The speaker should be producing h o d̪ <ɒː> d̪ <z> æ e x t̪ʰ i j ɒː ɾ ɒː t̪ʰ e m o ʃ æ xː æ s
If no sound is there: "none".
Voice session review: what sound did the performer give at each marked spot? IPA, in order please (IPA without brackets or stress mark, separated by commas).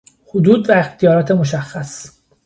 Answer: uː, v